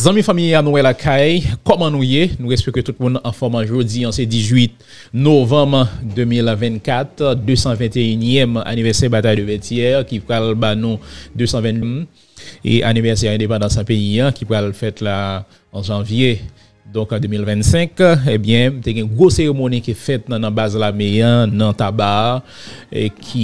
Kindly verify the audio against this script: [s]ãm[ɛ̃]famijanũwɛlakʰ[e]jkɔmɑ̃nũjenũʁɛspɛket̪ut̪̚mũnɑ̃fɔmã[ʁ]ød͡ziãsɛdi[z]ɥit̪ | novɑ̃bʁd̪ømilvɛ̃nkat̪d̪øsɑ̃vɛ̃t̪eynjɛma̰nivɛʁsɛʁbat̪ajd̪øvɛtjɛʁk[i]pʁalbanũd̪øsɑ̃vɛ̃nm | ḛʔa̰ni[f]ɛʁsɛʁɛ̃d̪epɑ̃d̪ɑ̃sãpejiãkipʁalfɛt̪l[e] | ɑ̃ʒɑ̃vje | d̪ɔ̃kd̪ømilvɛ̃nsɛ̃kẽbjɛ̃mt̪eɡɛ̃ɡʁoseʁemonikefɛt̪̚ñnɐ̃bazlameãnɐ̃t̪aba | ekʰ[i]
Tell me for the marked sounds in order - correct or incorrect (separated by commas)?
incorrect, incorrect, incorrect, incorrect, correct, correct, incorrect, incorrect, correct